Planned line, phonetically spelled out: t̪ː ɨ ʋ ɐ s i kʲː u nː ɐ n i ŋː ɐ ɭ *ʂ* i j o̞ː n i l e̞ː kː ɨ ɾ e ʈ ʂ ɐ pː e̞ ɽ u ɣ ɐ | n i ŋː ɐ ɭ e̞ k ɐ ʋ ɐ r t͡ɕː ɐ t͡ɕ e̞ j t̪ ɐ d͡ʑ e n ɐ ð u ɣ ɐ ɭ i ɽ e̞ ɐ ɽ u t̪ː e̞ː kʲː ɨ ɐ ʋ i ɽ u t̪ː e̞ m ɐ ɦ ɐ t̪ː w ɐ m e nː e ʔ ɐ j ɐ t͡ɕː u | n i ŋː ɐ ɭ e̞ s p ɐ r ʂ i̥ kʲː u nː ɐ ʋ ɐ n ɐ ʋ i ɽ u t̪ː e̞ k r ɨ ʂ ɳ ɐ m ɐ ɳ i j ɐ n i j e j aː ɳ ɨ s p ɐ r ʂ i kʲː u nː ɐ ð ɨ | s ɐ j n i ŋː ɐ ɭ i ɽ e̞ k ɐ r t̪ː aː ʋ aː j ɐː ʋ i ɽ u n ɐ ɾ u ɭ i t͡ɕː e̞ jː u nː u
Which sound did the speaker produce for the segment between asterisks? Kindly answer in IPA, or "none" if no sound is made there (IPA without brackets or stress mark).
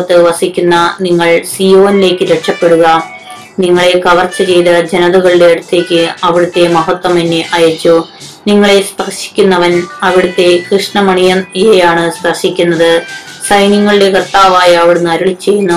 s